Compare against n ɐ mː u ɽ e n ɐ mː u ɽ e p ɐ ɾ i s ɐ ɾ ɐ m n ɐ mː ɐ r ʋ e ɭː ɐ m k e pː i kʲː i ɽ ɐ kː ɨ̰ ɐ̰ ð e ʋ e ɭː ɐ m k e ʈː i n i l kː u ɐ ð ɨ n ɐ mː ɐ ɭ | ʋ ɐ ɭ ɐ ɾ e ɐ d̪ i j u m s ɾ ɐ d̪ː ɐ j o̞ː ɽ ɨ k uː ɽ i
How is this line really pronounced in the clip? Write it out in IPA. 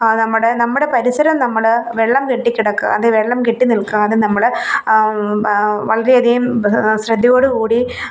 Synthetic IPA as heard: n ɐ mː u ɽ e n ɐ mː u ɽ e p ɐ ɾ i s ɐ ɾ ɐ m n ɐ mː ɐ ɭ ʋ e ɭː ɐ m k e ʈː i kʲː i ɽ ɐ kː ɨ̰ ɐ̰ ð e ʋ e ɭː ɐ m k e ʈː i n i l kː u ɐ ð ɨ n ɐ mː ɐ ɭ | ʋ ɐ ɭ ɐ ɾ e ɐ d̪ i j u m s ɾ ɐ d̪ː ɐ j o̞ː ɽ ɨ k uː ɽ i